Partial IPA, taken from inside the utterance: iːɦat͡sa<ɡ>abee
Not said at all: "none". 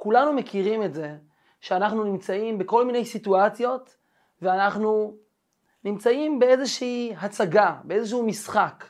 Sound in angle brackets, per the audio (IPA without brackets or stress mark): ɡ